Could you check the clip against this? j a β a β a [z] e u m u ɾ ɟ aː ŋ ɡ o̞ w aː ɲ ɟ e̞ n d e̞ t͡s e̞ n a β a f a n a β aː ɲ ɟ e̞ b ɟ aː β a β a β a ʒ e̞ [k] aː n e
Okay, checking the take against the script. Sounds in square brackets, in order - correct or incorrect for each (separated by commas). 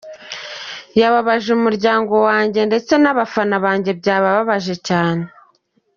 incorrect, incorrect